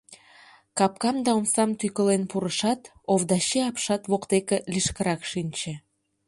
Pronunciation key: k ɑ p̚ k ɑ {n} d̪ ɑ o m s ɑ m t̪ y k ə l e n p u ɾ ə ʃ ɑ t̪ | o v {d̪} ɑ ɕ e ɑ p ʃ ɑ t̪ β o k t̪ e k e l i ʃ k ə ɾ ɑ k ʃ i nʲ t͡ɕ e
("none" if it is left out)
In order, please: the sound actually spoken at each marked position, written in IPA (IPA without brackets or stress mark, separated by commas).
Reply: m, d̪